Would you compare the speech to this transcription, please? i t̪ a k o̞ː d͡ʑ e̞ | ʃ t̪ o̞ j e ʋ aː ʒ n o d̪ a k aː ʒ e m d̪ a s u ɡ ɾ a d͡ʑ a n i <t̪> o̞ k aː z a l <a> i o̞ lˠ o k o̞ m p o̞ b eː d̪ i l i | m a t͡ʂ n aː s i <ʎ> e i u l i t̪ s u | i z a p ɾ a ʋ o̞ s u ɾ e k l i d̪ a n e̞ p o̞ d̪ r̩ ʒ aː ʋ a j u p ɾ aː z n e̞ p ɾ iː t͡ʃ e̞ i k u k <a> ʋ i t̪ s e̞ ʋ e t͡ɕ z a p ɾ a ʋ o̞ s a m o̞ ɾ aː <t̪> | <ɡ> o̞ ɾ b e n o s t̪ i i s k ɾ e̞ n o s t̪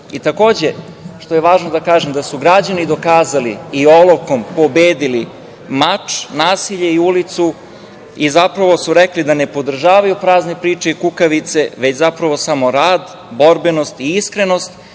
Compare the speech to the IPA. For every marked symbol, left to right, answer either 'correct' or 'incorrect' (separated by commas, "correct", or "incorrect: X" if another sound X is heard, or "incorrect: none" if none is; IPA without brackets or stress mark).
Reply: incorrect: d̪, incorrect: i, correct, correct, incorrect: d̪, incorrect: b